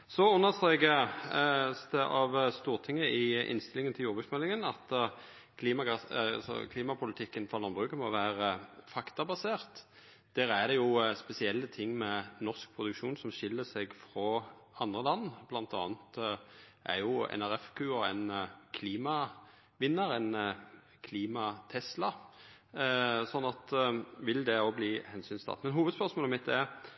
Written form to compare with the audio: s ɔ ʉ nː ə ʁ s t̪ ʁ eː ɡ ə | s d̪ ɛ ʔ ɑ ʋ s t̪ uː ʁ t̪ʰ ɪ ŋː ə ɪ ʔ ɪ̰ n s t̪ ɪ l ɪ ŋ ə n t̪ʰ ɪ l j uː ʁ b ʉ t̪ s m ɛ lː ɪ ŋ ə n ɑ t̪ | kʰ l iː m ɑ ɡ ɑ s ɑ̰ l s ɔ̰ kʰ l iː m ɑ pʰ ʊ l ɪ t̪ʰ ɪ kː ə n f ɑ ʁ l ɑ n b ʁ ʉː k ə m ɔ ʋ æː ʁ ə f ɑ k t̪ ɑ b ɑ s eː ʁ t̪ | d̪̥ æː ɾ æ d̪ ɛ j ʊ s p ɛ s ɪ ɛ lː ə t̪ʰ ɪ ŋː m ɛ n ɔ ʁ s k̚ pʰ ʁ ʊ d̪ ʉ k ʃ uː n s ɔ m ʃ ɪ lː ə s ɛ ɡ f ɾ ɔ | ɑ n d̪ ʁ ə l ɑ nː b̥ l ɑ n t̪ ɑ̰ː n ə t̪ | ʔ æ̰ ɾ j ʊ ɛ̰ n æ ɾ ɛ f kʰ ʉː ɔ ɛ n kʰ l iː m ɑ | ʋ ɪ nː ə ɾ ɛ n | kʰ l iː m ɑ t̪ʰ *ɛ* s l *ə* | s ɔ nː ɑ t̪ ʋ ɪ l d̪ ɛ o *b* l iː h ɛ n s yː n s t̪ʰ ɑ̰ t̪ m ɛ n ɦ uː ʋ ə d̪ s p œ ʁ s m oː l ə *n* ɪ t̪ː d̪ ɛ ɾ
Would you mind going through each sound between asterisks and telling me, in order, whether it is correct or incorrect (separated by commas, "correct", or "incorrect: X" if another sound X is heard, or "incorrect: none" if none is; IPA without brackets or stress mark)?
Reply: correct, incorrect: ɑ, correct, incorrect: m